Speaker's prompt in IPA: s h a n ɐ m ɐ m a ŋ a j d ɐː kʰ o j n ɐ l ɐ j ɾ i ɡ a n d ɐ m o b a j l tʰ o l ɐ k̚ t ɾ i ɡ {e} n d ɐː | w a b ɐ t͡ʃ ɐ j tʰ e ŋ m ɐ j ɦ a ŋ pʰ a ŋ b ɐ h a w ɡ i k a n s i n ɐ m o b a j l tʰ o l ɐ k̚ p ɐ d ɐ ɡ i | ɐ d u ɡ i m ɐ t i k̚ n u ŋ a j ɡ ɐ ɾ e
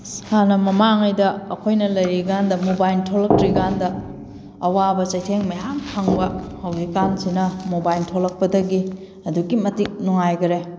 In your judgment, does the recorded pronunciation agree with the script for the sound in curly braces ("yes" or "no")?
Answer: no